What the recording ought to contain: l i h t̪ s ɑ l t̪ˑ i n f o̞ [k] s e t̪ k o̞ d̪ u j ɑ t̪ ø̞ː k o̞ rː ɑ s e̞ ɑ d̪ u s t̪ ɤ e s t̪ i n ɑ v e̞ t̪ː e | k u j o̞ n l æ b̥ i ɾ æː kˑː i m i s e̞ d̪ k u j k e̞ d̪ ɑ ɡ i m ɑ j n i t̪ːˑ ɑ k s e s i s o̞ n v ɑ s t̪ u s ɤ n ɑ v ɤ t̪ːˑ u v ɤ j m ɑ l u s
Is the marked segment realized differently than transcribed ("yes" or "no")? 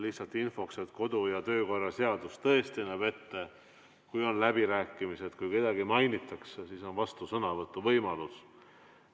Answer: no